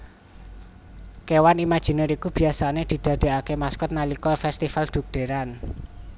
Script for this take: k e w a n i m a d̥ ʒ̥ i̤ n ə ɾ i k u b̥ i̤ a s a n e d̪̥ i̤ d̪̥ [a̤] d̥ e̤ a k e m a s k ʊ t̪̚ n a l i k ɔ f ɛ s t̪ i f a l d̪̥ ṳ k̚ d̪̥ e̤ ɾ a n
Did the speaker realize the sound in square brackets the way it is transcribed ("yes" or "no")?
yes